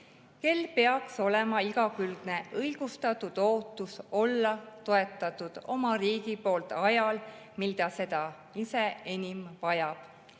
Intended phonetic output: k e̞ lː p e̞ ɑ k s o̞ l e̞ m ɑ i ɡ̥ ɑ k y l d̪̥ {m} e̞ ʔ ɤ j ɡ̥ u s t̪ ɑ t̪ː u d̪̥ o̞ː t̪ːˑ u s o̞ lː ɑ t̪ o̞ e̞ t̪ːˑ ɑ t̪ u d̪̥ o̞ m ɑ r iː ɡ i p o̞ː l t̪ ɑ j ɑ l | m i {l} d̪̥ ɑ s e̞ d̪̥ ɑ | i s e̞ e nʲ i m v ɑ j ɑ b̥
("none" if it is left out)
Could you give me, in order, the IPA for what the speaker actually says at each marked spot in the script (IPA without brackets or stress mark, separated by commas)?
n, l